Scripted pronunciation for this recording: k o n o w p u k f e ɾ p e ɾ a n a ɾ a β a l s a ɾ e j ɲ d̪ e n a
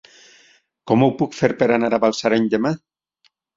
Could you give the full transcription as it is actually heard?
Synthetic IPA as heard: k o m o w p u k f e ɾ p e ɾ a n a ɾ a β a l s a ɾ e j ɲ d̪ e m a